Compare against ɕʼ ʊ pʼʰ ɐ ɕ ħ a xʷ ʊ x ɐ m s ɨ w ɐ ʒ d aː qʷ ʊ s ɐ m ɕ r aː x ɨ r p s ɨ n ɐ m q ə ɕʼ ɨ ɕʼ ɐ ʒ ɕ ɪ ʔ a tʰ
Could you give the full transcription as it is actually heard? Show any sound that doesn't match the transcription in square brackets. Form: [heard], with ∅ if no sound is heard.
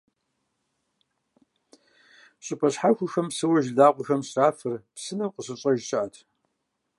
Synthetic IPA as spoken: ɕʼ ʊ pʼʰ ɐ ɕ ħ a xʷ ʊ x ɐ m s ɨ w ɐ ʒ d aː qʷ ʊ [x] ɐ m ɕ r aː [f] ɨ r p s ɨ n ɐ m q ə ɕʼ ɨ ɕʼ ɐ ʒ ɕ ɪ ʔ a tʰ